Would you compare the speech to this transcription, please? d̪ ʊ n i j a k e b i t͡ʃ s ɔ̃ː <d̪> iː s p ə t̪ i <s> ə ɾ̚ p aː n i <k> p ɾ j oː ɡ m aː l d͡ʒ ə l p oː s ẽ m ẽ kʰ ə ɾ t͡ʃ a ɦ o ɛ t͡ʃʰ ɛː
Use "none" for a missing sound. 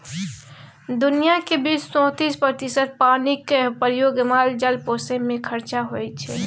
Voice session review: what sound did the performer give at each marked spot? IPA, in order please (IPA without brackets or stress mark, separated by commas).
t̪, s, k